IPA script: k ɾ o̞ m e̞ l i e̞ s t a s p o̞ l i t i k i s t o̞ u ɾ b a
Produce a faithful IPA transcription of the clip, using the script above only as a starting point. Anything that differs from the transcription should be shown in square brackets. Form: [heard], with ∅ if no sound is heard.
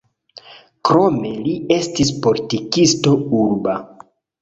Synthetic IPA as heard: k ɾ o̞ m e̞ l i e̞ s t [i] s p o̞ l i t i k i s t o̞ u ɾ b a

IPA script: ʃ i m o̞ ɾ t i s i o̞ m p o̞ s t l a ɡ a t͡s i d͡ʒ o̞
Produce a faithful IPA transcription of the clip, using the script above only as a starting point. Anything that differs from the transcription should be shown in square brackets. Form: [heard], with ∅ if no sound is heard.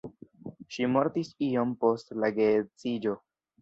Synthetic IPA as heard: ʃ i m o̞ ɾ t i s i o̞ m p o̞ s t l a ɡ [e] t͡s i d͡ʒ o̞

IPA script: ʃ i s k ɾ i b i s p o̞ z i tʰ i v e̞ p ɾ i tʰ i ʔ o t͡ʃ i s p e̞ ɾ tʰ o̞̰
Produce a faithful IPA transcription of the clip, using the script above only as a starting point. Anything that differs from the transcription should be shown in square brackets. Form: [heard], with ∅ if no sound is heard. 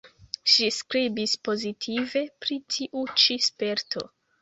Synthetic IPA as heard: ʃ i s k ɾ i b i s p o̞ z i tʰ i v e̞ p ɾ i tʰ i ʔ [u] t͡ʃ i s p e̞ ɾ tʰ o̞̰

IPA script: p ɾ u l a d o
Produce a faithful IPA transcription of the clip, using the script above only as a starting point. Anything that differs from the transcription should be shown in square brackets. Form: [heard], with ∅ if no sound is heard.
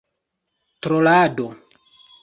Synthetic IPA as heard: [t] ɾ [o] l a d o

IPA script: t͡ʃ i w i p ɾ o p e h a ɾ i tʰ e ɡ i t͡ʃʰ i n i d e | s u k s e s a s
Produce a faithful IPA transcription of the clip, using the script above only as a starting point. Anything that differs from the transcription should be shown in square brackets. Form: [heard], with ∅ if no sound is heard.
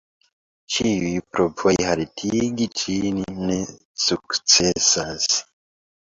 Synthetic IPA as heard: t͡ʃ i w i p ɾ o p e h a ɾ i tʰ [i] ɡ i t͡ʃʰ i n i [n] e | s u k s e s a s

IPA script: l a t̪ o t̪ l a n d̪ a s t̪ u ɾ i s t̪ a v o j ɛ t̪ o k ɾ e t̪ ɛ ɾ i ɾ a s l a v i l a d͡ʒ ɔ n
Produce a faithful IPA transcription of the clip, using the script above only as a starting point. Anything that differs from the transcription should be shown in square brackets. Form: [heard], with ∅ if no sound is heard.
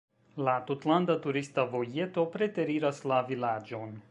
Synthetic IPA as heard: l a t̪ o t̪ l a n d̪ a [∅] t̪ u ɾ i s t̪ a v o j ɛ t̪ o [p] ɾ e t̪ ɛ ɾ i ɾ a s l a v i l a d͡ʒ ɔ n

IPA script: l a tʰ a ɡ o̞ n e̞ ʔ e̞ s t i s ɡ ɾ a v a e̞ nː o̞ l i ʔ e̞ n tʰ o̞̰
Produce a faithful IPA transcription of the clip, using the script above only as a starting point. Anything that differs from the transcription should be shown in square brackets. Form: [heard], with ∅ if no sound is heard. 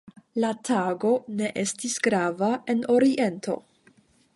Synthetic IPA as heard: l a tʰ a ɡ o̞ n e̞ ʔ e̞ s t i s ɡ ɾ a v a e̞ [n] o̞ [ɾ] i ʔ e̞ n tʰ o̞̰

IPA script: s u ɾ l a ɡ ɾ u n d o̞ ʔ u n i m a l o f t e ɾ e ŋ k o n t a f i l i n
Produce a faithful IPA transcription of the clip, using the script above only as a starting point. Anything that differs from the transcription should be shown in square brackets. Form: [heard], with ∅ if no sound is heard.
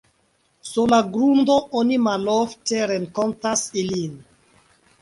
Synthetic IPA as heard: s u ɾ l a ɡ ɾ u n d o̞ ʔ [o] n i m a l o f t e ɾ e ŋ k o n t a [s] i l i n

